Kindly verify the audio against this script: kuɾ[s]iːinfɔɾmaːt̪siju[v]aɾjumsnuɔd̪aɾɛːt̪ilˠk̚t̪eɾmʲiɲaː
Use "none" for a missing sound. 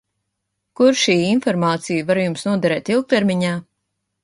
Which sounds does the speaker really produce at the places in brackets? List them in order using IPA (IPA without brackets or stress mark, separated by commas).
ʃ, v